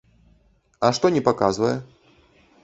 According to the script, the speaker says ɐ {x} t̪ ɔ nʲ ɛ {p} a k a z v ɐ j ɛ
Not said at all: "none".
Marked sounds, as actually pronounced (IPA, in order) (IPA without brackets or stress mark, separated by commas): ʂ, p